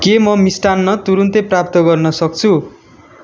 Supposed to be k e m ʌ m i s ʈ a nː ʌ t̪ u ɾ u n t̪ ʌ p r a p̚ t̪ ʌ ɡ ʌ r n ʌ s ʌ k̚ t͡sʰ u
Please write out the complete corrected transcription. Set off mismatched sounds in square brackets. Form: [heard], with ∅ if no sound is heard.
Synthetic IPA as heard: k e m ʌ m i s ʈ a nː ʌ t̪ u ɾ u n t̪ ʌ p r a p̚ t̪ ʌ ɡ ʌ r n ʌ s ʌ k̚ t͡sʰ u